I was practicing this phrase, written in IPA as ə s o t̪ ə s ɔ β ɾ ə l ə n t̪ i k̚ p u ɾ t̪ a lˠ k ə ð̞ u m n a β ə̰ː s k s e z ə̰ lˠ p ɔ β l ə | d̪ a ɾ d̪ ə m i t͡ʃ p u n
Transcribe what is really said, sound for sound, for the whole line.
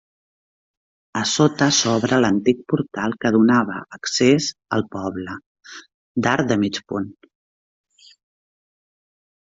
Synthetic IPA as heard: ə s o t̪ ə s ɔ β ɾ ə l ə n t̪ i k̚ p u ɾ t̪ a lˠ k ə ð̞ u n a β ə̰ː k s e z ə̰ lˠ p ɔ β l ə | d̪ a ɾ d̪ ə m i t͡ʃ p u n